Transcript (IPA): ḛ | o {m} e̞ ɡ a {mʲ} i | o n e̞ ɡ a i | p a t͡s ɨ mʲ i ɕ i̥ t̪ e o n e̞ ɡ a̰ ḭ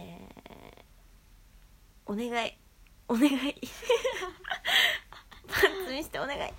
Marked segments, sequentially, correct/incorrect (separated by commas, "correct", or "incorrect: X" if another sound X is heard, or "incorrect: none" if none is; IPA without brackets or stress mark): incorrect: n, incorrect: none